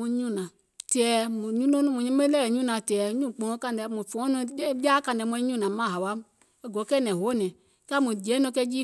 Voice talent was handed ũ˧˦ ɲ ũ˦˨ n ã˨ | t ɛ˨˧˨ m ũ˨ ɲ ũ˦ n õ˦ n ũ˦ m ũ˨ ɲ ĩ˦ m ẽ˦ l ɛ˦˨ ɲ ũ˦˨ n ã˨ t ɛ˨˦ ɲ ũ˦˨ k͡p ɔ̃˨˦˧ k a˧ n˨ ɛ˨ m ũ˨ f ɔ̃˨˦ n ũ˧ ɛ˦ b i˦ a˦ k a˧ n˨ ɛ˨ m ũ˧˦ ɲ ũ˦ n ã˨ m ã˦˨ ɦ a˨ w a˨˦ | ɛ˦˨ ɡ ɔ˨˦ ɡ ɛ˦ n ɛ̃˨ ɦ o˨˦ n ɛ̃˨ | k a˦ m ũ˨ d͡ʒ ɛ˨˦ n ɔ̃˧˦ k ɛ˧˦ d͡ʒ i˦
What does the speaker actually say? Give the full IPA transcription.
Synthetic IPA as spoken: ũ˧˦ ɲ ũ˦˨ n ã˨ | t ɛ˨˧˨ m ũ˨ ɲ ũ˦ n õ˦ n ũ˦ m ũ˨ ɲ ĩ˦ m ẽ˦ l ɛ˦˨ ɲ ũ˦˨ n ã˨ t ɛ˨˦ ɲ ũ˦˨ k͡p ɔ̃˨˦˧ k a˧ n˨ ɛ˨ m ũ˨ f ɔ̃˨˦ n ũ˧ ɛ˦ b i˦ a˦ k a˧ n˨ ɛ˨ m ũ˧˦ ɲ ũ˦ n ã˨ m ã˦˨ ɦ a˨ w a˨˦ | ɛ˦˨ ɡ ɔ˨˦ k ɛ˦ n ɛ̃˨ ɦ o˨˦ n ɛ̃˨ | k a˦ m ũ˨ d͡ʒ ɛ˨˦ n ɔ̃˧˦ k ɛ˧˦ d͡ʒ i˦